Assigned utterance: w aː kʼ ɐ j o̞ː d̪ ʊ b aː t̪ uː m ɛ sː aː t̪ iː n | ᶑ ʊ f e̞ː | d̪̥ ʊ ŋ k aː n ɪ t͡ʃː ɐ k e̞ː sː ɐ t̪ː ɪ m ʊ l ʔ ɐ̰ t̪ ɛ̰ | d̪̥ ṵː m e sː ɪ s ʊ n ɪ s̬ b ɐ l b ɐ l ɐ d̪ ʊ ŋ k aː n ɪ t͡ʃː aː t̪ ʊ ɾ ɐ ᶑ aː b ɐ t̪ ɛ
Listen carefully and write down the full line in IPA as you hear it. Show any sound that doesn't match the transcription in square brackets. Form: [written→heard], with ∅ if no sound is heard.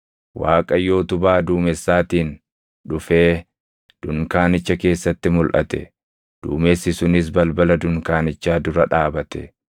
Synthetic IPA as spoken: w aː kʼ ɐ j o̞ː [d̪→t̪] ʊ b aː [t̪→d̪] uː m ɛ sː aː t̪ iː n | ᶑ ʊ f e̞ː | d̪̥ ʊ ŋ k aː n ɪ t͡ʃː ɐ k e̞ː sː ɐ t̪ː ɪ m ʊ l ʔ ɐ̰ t̪ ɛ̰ | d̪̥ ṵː m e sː ɪ s ʊ n ɪ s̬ b ɐ l b ɐ l ɐ d̪ ʊ ŋ k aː n ɪ t͡ʃː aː [t̪→d̪] ʊ ɾ ɐ ᶑ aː b ɐ t̪ ɛ